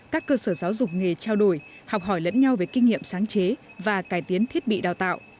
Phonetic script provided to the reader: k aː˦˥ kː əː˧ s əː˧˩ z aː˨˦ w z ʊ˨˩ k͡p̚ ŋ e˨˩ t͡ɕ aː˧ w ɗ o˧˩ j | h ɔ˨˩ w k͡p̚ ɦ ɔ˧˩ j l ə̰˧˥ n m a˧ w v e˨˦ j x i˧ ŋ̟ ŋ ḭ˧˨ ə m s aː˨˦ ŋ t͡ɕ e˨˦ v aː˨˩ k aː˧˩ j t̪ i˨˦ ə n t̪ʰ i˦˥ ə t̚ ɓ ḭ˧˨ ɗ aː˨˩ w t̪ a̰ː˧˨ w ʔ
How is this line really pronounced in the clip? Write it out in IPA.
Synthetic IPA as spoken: k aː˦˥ kː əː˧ s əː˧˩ z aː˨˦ w z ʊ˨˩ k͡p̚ ŋ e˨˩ t͡ɕ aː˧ w ɗ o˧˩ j | h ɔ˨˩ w k͡p̚ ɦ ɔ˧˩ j l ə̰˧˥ n ɲ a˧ w v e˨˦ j k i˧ ŋ̟ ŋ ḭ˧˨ ə m s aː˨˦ ŋ t͡ɕ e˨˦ v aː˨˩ k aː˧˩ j t̪ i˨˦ ə n t̪ʰ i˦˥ ə t̚ ɓ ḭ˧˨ ɗ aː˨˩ w t̪ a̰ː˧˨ w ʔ

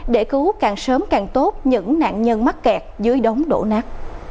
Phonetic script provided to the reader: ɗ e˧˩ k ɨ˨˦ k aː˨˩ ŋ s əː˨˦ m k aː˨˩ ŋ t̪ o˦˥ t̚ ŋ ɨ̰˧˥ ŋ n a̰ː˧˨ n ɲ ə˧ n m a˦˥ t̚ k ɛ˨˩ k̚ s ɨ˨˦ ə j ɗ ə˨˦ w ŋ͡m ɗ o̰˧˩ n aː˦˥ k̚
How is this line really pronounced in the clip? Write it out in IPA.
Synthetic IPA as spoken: ɗ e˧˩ k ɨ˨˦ k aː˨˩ ŋ s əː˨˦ m k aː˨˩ ŋ t̪ o˦˥ t̚ ɲ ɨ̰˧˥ ŋ n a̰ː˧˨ n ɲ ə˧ n m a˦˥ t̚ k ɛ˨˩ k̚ z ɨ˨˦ ə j ɗ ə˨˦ w ŋ͡m ɗ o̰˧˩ n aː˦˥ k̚

